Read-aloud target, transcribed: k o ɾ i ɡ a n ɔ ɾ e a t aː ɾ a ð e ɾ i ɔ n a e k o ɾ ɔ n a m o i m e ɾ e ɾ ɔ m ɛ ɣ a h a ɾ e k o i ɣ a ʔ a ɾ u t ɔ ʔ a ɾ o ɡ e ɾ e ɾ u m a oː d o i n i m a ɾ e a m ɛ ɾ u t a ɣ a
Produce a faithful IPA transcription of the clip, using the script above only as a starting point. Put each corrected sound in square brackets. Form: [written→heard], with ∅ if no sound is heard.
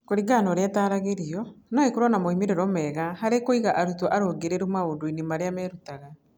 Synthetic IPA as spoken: k o ɾ i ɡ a n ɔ ɾ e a t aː ɾ a [ð→ɣ] e ɾ i ɔ n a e k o ɾ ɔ n a m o i m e ɾ e ɾ ɔ m ɛ ɣ a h a ɾ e k o i ɣ a ʔ a ɾ u t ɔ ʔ a ɾ o ɡ e ɾ e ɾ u m a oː d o i n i m a ɾ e a m ɛ ɾ u t a ɣ a

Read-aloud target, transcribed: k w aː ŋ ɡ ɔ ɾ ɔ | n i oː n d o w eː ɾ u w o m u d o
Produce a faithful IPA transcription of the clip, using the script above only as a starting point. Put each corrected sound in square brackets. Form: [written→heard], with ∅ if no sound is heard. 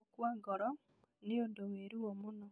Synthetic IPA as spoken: k w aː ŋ ɡ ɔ ɾ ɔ | n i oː n d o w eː ɾ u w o m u [d→n] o

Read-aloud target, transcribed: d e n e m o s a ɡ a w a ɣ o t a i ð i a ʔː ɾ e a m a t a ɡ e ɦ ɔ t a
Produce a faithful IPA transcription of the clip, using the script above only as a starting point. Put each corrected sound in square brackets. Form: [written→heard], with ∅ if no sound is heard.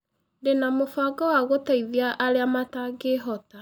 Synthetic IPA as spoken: d e n [e→a] m o [s→f] a ɡ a w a ɣ o t a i ð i a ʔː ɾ e a m a t a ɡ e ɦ ɔ t a

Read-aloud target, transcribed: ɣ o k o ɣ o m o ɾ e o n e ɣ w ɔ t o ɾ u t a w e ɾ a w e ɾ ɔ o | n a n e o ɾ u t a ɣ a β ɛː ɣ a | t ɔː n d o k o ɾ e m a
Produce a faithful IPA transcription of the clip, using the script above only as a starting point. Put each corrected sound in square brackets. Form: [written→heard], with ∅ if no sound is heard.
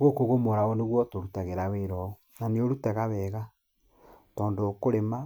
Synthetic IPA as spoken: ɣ o k o ɣ o m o ɾ [e→a] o n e ɣ w ɔ t o ɾ u t a [w→ɣ] e ɾ a w e ɾ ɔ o | n a n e o ɾ u t a ɣ a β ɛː ɣ a | t ɔː n d o k o ɾ e m a

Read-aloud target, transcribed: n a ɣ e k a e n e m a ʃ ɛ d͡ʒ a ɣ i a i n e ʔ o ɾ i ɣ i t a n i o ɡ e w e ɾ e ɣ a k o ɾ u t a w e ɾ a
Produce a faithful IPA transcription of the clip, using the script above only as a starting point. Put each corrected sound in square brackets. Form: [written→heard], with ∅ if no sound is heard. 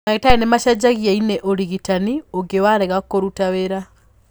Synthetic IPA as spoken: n a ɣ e [k→t] a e n e m a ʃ [ɛ→a] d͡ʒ a ɣ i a i n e ʔ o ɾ i ɣ i t a n i o ɡ e w [e→a] ɾ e ɣ a k o ɾ u t a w e ɾ a

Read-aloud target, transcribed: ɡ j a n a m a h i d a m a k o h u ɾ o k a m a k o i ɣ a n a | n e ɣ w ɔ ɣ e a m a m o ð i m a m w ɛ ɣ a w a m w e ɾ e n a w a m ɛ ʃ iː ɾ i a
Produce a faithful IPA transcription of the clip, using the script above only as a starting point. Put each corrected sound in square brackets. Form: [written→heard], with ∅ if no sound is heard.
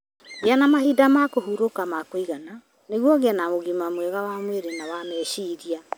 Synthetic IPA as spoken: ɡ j a n a m a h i d a m a k o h u ɾ o k a m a k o i ɣ a n a | n e ɣ w ɔ ɣ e a [m→n] a m o [ð→ɣ] i m a m w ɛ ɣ a w a m w e ɾ e n a w a m ɛ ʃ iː ɾ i a

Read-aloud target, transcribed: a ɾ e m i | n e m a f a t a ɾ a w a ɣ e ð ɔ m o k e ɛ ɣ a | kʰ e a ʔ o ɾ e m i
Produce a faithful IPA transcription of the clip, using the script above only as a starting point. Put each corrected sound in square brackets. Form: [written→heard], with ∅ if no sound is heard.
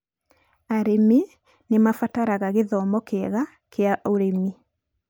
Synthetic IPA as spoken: a ɾ e m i | n e m a f a t a ɾ a [w→ɣ] a ɣ e ð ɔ m [o→ɔ] k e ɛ ɣ a | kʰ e a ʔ o ɾ e m i

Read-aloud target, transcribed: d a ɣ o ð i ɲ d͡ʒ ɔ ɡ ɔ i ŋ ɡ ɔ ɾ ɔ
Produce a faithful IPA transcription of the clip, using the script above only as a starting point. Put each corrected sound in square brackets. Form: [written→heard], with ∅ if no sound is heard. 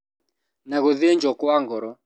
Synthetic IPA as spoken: [d→n] a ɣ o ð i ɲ d͡ʒ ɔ [ɡ→k] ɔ [i→a] ŋ ɡ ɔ ɾ ɔ

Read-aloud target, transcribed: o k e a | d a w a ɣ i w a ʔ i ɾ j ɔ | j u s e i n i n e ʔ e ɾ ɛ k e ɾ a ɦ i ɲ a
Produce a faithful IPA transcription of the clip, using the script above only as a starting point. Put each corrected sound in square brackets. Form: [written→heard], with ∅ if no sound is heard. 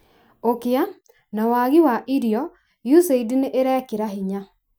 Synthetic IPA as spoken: o k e a | [d→n] a w a ɣ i w a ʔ i ɾ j ɔ | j u s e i [n→d] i n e ʔ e ɾ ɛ k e ɾ a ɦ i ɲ a

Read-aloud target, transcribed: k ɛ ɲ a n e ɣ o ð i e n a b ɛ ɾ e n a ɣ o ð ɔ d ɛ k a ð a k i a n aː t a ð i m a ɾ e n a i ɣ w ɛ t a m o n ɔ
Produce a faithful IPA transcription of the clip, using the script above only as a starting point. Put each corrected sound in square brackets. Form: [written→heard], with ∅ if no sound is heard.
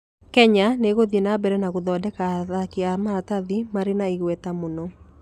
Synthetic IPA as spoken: k ɛ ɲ a n e ɣ o ð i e n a b ɛ ɾ [e→ɛ] n a ɣ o ð ɔ d ɛ k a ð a k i a [n→m] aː t a ð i m a ɾ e n a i ɣ w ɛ t a m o n ɔ

